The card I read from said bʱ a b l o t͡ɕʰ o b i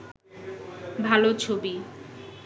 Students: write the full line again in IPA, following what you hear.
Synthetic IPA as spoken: bʱ a l o t͡ɕʰ o b i